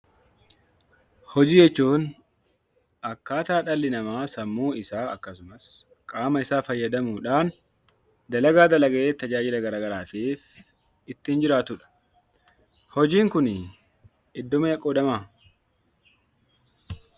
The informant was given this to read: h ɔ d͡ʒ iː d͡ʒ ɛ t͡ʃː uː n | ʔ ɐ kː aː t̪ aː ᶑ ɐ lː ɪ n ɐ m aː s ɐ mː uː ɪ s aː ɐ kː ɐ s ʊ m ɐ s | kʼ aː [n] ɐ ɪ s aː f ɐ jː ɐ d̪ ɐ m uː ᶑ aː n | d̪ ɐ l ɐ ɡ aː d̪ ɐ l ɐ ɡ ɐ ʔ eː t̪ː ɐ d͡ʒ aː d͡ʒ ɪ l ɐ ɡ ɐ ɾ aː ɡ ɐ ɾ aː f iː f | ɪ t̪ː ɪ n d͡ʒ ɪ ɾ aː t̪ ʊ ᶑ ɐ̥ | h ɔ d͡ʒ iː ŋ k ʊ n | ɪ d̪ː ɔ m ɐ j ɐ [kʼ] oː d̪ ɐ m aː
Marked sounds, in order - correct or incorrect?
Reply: incorrect: m, correct

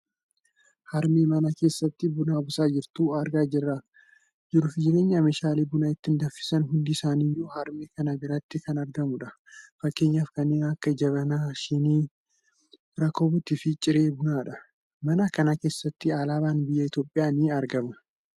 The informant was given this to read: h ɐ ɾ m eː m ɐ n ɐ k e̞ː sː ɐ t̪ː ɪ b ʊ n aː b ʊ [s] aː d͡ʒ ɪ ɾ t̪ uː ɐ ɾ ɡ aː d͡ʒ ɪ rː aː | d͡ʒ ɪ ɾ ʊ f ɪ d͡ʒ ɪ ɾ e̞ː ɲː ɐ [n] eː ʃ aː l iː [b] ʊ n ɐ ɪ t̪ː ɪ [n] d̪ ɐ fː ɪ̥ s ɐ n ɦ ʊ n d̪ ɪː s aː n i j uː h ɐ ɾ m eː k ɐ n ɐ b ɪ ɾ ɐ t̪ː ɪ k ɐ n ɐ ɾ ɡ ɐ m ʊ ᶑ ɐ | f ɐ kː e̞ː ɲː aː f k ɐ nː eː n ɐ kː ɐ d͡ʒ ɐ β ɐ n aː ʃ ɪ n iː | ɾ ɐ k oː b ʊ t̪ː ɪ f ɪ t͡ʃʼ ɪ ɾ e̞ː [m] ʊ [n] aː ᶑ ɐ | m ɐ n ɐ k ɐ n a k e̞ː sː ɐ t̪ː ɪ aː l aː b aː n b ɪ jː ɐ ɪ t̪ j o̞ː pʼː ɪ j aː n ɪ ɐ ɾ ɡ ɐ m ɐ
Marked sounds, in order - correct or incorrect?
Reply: correct, incorrect: m, correct, correct, incorrect: b, correct

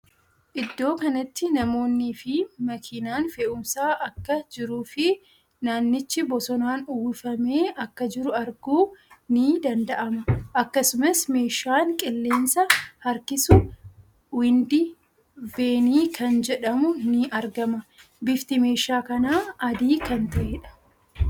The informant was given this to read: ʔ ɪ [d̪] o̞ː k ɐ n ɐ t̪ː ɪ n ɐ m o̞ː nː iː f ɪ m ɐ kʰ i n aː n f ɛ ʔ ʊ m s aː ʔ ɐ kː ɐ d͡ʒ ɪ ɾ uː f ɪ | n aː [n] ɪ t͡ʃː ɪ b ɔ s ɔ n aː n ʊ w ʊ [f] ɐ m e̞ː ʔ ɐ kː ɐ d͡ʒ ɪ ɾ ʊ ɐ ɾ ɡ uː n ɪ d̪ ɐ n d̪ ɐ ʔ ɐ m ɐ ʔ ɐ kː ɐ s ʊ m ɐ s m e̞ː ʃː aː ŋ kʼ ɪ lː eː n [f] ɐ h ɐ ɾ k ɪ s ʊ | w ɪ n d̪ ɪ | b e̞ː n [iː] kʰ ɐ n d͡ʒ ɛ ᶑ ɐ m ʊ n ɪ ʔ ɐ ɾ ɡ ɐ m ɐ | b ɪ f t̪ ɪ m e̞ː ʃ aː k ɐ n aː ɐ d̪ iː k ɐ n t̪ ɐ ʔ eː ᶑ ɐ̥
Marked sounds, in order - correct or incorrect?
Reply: incorrect: d̪ː, incorrect: nː, correct, incorrect: s, correct

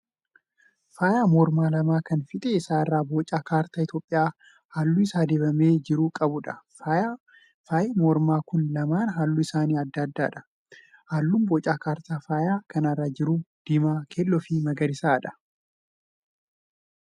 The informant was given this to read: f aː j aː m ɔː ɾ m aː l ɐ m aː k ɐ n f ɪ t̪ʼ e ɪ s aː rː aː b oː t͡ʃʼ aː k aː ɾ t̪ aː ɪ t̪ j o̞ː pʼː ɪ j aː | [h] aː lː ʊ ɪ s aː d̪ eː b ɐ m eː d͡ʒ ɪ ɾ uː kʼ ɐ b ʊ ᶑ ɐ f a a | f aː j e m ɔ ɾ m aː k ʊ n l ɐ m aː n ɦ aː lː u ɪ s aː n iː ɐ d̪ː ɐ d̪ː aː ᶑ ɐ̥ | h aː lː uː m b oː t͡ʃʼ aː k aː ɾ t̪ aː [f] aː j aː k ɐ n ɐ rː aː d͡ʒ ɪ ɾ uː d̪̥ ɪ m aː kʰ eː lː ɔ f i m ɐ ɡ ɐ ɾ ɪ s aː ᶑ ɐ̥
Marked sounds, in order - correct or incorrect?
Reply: correct, correct

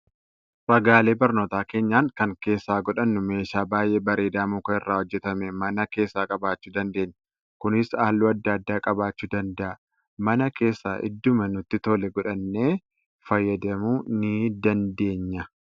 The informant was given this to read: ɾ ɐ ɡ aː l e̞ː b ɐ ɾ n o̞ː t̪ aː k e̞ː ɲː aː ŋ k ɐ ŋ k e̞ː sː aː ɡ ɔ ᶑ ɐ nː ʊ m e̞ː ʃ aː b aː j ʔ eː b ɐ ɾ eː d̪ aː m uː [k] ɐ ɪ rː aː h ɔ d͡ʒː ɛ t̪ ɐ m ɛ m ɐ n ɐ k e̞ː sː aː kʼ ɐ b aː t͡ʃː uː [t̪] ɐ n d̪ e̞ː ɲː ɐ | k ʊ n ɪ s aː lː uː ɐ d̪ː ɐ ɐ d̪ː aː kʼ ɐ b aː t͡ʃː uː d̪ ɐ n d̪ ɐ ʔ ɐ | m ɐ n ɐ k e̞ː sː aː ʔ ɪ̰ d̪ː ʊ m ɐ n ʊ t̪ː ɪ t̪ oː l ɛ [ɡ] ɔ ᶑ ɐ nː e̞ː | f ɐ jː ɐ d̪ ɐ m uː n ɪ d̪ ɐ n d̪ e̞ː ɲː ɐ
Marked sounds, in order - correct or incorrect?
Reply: correct, incorrect: d̪, correct

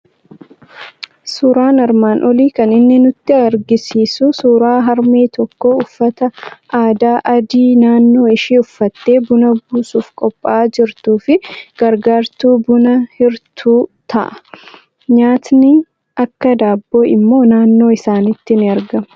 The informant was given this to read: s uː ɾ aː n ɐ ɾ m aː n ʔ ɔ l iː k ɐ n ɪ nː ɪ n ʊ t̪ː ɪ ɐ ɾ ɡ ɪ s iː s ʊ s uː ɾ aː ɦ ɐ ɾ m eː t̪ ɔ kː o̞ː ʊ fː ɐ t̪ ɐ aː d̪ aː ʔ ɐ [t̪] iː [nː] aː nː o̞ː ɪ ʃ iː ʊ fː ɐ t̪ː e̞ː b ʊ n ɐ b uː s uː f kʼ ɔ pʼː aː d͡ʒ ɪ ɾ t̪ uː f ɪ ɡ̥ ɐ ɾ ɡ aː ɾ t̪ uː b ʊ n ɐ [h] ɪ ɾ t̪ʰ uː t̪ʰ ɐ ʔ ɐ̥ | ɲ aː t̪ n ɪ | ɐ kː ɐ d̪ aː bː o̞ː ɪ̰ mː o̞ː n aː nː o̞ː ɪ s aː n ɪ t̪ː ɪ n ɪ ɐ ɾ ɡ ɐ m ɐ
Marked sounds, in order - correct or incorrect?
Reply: incorrect: d̪, incorrect: n, correct

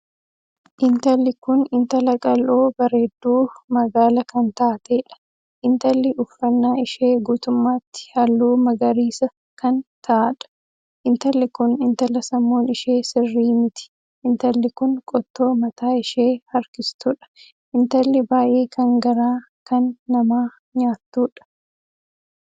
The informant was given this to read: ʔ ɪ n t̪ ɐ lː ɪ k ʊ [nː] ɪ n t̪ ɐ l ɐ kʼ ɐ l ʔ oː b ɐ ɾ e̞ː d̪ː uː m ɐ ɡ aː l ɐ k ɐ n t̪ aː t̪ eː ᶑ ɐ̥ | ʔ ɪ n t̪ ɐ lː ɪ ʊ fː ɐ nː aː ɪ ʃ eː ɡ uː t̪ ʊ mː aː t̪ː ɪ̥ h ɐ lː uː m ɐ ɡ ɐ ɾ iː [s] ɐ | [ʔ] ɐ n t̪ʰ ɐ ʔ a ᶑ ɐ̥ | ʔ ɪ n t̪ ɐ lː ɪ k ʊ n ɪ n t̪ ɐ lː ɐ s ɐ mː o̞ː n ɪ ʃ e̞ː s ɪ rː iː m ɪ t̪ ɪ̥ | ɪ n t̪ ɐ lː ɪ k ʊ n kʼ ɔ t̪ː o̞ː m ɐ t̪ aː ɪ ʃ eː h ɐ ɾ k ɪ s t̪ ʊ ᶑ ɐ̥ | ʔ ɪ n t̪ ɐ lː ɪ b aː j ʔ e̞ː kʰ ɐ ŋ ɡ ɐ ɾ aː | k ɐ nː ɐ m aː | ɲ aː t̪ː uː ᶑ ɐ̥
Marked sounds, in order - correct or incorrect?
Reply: incorrect: n, correct, incorrect: k

